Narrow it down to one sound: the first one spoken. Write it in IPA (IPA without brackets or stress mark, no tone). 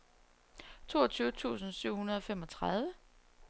t͡sʰ